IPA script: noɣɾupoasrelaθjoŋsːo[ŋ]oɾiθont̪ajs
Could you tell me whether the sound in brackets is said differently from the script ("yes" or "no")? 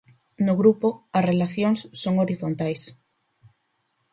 no